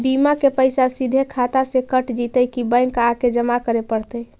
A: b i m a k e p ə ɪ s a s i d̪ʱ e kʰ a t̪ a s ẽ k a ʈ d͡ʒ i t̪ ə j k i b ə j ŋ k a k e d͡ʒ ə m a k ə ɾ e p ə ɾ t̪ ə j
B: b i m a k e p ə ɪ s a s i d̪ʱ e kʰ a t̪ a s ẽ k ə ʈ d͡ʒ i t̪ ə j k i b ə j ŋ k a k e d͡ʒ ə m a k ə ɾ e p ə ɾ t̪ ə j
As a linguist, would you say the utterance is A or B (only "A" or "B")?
B